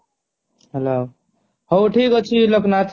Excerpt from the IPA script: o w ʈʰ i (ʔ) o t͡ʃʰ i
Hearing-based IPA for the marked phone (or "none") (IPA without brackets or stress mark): k